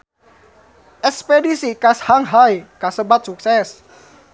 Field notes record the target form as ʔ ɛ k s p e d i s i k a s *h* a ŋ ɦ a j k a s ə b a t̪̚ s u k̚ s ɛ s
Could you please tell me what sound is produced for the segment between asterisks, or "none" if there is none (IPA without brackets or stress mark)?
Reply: h